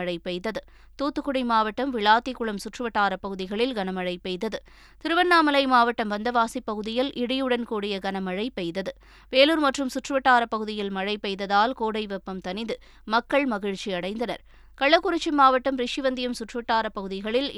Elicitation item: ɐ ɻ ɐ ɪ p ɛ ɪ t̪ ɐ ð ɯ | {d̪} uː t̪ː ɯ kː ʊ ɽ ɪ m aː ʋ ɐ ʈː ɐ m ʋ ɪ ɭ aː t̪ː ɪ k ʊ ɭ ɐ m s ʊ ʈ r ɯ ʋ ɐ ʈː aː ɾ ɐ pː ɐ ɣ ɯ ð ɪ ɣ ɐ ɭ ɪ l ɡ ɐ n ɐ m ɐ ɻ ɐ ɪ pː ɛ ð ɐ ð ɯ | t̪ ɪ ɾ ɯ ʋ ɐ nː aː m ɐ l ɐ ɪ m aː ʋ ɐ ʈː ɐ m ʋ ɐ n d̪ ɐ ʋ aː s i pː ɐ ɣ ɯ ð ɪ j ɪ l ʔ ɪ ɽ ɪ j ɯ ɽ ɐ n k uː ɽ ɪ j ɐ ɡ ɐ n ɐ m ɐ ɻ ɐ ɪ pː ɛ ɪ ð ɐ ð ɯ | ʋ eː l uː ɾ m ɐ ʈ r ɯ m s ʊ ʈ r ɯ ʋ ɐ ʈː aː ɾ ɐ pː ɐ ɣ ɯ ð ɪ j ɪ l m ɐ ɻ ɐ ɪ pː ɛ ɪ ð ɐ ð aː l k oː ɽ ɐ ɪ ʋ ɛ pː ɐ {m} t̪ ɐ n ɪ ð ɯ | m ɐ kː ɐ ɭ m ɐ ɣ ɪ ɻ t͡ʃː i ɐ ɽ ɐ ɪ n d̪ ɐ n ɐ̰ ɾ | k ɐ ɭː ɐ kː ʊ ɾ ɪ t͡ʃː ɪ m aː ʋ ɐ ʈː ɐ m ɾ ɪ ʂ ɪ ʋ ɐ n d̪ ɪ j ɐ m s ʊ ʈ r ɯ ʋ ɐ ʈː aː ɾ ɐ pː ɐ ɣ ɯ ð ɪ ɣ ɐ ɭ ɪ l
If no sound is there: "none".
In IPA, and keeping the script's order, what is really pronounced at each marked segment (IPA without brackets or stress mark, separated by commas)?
t̪, m